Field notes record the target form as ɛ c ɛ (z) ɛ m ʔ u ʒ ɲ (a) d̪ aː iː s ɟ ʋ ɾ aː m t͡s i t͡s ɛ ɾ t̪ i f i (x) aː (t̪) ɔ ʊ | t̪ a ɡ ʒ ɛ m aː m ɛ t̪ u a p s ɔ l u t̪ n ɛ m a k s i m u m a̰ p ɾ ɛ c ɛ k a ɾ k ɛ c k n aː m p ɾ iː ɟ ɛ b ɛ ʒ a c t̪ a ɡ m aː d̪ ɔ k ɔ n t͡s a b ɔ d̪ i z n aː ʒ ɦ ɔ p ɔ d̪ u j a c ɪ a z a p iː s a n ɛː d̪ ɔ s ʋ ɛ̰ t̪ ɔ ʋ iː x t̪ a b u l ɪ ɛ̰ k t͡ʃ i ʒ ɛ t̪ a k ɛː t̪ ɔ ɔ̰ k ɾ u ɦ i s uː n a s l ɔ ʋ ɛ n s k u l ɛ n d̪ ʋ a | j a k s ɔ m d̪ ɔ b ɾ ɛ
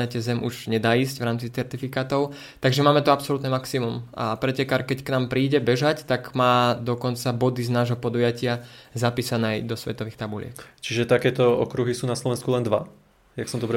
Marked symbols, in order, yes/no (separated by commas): yes, no, no, yes